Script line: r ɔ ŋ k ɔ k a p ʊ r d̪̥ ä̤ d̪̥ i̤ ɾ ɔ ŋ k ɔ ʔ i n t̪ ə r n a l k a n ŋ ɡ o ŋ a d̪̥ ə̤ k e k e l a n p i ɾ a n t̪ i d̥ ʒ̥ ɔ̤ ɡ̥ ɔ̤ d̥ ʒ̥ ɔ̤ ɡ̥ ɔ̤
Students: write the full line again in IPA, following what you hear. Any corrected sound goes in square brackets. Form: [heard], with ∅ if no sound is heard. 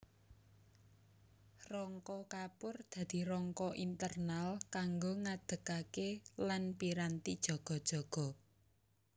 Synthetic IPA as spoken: r ɔ ŋ k ɔ k a p ʊ r d̪̥ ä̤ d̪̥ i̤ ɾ ɔ ŋ k ɔ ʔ i n t̪ ə r n a l k a [∅] ŋ ɡ o ŋ a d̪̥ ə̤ k [a] k e l a n p i ɾ a n t̪ i d̥ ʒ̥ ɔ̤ ɡ̥ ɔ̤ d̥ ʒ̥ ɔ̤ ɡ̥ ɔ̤